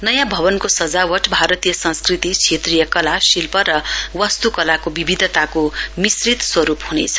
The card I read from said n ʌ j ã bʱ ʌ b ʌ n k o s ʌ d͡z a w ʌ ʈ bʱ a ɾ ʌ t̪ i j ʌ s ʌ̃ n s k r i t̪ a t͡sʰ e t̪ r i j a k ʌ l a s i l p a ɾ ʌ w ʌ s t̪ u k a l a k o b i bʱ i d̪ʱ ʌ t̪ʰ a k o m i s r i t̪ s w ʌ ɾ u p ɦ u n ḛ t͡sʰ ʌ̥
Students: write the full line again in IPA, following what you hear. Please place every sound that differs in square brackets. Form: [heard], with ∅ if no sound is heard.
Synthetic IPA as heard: n ʌ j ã bʱ ʌ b ʌ n k o s ʌ d͡z a w ʌ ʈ bʱ a ɾ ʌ t̪ i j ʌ s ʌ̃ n s k r i t̪ [i] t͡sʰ e t̪ r i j [ʌ] k ʌ l a s i l p [ʌ] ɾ ʌ w ʌ s t̪ u k [ʌ] l a k o b i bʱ i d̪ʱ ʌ [t̪] a k o m i s r i t̪ s w ʌ ɾ u p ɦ u n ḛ t͡sʰ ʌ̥

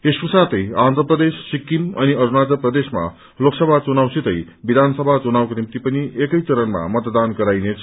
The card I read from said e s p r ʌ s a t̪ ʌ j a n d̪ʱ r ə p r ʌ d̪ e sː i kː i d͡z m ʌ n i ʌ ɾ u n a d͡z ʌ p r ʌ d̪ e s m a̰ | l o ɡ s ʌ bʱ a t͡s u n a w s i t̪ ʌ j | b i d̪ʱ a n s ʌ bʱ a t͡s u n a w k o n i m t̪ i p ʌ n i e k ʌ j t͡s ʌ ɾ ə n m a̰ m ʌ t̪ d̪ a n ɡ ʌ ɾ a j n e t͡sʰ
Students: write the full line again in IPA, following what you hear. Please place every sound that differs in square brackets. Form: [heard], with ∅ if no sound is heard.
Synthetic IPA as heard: e s p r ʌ s a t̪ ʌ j a n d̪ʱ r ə p r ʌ d̪ e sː i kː i [∅] m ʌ n i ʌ ɾ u n a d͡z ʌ p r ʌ d̪ e s m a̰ | l o [k] s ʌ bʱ a t͡s u n a w s i t̪ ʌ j | b i d̪ʱ a n s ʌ bʱ a t͡s u n a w k o n i m t̪ i p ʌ n i e k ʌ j t͡s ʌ ɾ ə n m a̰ m ʌ t̪ d̪ a n ɡ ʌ ɾ a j n e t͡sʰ

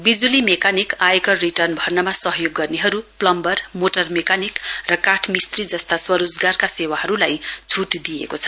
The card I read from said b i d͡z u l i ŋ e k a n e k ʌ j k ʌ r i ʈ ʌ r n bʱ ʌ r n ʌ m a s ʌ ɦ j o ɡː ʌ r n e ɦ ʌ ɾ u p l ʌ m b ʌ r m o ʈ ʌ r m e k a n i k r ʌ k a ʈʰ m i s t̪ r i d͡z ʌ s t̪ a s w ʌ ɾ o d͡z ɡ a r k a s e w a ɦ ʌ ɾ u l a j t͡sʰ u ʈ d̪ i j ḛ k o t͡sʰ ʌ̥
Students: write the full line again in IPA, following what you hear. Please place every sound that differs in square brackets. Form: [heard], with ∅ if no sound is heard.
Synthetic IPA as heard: b i d͡z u l i [m] e k a n [i] k [a] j k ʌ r i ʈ ʌ r n bʱ ʌ r n ʌ m a s ʌ ɦ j o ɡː ʌ r n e ɦ ʌ ɾ u p l ʌ m b ʌ r m o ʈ ʌ r m e k a n i k r ʌ k a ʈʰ m i s t̪ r i d͡z ʌ s t̪ a s w ʌ ɾ o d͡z ɡ a r k a s e w a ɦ ʌ ɾ u l a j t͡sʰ u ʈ d̪ i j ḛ k o t͡sʰ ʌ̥

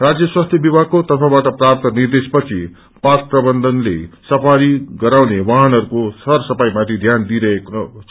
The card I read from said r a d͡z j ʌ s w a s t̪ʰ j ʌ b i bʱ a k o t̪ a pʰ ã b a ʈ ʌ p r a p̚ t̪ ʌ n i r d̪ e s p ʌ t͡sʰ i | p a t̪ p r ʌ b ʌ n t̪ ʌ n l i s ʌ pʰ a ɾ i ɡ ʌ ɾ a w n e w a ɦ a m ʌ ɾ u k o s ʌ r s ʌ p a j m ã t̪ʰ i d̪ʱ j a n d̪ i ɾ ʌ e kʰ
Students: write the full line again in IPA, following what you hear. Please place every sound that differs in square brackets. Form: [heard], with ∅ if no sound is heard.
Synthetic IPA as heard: r a d͡z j ʌ s w a s t̪ʰ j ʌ b i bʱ a k o t̪ [ʌ] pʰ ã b a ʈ ʌ p r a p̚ t̪ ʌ n i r d̪ e s p ʌ t͡sʰ i | p a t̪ p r ʌ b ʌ n [d̪] ʌ n l [e] s ʌ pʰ a ɾ i ɡ ʌ ɾ a w n e w a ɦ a [n] ʌ ɾ u k o s ʌ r s ʌ p a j m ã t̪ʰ i d̪ʱ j a n d̪ i ɾ ʌ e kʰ

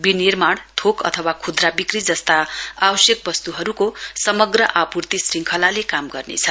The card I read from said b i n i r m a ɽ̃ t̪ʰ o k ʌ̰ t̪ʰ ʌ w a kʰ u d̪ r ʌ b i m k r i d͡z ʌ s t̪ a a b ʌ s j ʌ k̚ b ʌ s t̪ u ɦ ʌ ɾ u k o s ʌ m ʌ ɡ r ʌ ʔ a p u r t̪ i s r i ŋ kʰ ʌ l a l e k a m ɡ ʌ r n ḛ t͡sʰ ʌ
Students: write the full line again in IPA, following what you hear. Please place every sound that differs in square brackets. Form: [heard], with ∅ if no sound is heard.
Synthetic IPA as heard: b i n i r m a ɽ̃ t̪ʰ o k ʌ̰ t̪ʰ ʌ w a kʰ u d̪ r [a] b i [∅] k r i d͡z ʌ s t̪ a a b ʌ s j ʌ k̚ b ʌ s t̪ u ɦ ʌ ɾ u k o s ʌ m ʌ ɡ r ʌ ʔ a p u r t̪ i s r i ŋ kʰ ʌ l a l e k a m ɡ ʌ r n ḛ t͡sʰ ʌ

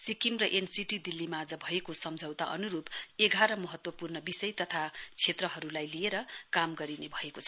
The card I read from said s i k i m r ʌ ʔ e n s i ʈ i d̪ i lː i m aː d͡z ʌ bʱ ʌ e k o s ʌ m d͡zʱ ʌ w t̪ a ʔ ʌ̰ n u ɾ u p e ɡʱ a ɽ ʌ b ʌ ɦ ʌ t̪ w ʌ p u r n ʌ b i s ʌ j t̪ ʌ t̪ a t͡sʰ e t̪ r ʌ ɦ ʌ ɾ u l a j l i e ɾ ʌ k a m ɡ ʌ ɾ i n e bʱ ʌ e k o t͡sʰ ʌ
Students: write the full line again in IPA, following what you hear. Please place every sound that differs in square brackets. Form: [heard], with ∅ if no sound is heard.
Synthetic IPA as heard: s i k i m r ʌ ʔ e n s i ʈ i d̪ i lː i m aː d͡z ʌ bʱ ʌ e k o s ʌ m d͡zʱ ʌ w t̪ a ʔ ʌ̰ n u ɾ u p e ɡʱ a [ɾ] ʌ [m] ʌ ɦ ʌ t̪ w ʌ p u r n ʌ b i s ʌ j t̪ ʌ [t̪ʰ] a t͡sʰ e t̪ r ʌ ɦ ʌ ɾ u l a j l i e ɾ ʌ k a m ɡ ʌ ɾ i n e bʱ ʌ e k o t͡sʰ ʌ

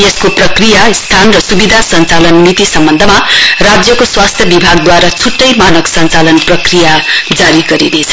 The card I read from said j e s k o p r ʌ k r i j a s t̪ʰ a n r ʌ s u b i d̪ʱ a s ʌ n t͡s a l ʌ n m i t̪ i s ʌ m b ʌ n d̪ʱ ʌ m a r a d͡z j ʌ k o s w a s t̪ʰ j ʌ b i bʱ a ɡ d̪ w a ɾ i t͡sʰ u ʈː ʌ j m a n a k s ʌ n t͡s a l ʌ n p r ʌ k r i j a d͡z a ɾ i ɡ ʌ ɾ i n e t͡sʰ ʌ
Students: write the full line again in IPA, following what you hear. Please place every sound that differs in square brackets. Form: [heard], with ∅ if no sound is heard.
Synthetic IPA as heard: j e s k o p r ʌ k r i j a s t̪ʰ a n r ʌ s u b i d̪ʱ a s ʌ n t͡s a l ʌ n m i t̪ i s ʌ m b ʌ n d̪ʱ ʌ m a r a d͡z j ʌ k o s w a s t̪ʰ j ʌ b i bʱ a ɡ d̪ w a ɾ [a] t͡sʰ u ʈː ʌ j m a n [ʌ] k s ʌ n t͡s a l ʌ n p r ʌ k r i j a d͡z a ɾ i ɡ ʌ ɾ i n e t͡sʰ ʌ

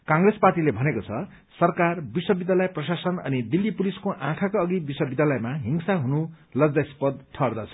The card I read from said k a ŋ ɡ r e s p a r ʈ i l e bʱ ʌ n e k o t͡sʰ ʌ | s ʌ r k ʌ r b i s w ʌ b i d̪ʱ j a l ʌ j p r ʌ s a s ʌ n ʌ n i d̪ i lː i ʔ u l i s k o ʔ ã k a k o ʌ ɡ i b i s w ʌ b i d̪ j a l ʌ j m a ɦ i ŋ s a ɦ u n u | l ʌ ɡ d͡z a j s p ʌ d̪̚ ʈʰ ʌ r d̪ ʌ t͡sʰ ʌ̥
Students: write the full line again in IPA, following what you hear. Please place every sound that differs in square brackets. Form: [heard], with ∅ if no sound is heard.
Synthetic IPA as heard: k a ŋ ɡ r e s p a r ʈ i l e bʱ ʌ n e k o t͡sʰ ʌ | s ʌ r k [a] r b i s w ʌ b i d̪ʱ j a l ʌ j p r ʌ s a s ʌ n ʌ n i d̪ i lː i [p] u l i s k o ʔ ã [kʰ] a k o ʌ ɡ i b i s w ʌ b i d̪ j a l ʌ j m a ɦ i ŋ s a ɦ u n u | l ʌ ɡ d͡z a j s p ʌ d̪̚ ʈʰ ʌ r d̪ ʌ t͡sʰ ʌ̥

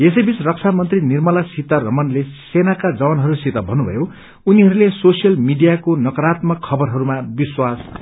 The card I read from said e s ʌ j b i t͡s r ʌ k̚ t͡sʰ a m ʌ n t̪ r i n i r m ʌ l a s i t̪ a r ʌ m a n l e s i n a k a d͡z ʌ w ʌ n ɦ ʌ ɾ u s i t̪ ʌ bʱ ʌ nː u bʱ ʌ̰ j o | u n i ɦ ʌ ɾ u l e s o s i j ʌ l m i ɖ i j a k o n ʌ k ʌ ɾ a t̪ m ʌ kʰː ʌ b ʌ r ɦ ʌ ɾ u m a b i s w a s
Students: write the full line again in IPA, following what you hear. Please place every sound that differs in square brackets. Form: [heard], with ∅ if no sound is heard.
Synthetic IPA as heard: e s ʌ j b i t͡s r ʌ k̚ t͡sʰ a m ʌ n t̪ r i n i r m ʌ l a s i t̪ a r ʌ m [ʌ] n l e s [e] n a k a d͡z ʌ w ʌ n ɦ ʌ ɾ u s i t̪ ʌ bʱ ʌ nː u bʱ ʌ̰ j o | u n i ɦ ʌ ɾ u l e s o s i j ʌ l m i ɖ i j a k o n ʌ k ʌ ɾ a t̪ m ʌ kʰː ʌ b ʌ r ɦ ʌ ɾ u m a b i s w a s

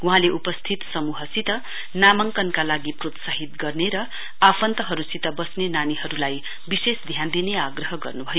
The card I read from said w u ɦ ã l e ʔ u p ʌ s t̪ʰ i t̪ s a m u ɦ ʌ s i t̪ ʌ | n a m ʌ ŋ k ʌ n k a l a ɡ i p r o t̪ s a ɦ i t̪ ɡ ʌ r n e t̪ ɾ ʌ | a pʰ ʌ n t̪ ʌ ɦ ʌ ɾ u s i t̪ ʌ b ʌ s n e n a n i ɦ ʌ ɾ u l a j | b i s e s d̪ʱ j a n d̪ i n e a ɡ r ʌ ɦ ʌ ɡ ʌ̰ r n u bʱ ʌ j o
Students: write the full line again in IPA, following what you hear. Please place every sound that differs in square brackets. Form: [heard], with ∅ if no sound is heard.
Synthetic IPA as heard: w u ɦ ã l e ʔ u p ʌ s t̪ʰ i t̪ s [ʌ] m u ɦ ʌ s i t̪ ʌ | n a m ʌ ŋ k ʌ n k a l a ɡ i p r o t̪ s a ɦ i t̪ ɡ ʌ r n e [∅] ɾ ʌ | a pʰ ʌ n t̪ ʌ ɦ ʌ ɾ u s i t̪ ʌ b ʌ s n e n a n i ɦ ʌ ɾ u l a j | b i s e s d̪ʱ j a n d̪ i n e a ɡ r ʌ ɦ ʌ ɡ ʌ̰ r n u bʱ ʌ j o

